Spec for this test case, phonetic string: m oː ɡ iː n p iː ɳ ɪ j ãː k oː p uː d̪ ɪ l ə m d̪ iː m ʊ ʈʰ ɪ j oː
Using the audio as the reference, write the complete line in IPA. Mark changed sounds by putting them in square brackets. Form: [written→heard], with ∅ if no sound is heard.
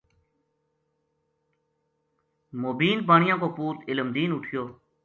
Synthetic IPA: m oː [ɡ→b] iː n p [iː→aː] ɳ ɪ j ãː k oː p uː [d̪→t̪] ɪ l ə m d̪ iː [m→n] ʊ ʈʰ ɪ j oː